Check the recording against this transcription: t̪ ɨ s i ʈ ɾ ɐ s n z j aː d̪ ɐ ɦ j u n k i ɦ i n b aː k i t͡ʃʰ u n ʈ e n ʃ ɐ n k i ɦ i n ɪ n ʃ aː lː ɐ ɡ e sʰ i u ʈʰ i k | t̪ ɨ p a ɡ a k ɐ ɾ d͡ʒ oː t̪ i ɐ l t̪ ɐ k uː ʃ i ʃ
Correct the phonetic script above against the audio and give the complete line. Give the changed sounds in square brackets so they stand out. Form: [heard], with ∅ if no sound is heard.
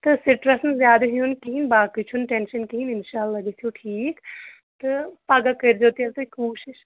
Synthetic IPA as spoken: t̪ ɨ s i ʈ ɾ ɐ s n z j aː d̪ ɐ ɦ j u n k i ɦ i n b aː k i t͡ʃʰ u n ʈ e n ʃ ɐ n k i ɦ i n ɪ n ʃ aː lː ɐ ɡ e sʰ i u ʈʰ [iː] k | t̪ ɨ p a ɡ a k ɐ ɾ d͡ʒ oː t̪ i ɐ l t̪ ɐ k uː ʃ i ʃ